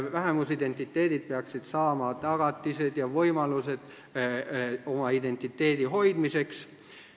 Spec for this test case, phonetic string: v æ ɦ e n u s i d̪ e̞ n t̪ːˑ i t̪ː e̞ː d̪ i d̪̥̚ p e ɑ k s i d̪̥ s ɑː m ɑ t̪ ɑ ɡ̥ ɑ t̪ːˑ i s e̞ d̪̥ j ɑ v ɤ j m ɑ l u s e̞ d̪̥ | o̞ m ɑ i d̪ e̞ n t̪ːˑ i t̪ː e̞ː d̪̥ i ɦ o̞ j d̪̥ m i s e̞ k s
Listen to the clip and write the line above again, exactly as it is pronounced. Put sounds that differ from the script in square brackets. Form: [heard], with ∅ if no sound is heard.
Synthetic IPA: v æ ɦ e [m] u s i d̪ e̞ n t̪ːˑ i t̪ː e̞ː d̪ i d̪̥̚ p e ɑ k s i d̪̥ s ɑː m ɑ t̪ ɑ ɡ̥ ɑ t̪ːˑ i s e̞ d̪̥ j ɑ v ɤ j m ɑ l u s e̞ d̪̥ | o̞ m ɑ i d̪ e̞ n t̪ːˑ i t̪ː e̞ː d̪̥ i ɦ o̞ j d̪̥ m i s e̞ k s